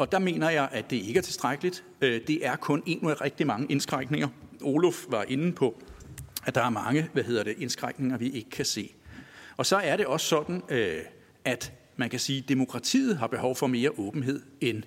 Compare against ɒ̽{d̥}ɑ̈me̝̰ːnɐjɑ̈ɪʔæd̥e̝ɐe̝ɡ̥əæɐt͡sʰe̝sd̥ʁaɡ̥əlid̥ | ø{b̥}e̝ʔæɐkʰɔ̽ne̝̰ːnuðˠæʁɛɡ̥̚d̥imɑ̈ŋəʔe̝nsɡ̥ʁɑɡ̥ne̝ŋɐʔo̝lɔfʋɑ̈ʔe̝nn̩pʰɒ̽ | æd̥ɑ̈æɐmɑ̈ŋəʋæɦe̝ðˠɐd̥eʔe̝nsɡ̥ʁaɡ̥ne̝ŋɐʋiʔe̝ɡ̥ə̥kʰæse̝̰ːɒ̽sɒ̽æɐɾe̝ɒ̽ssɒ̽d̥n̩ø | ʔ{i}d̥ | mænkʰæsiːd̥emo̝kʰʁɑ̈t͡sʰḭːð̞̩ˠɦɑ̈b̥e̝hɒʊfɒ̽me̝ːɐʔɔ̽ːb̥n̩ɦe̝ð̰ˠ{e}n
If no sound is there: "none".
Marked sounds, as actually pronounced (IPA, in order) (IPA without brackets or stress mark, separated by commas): d̥, d̥, æ, e